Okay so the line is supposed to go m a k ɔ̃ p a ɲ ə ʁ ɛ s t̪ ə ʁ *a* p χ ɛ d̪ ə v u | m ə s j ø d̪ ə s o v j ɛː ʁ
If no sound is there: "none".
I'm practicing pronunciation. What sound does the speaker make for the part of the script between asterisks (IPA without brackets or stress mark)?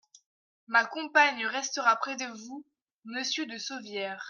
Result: a